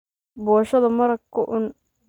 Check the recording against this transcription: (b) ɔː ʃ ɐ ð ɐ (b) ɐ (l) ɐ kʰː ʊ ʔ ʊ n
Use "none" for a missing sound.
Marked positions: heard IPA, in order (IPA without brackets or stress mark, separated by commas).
b, m, ɾ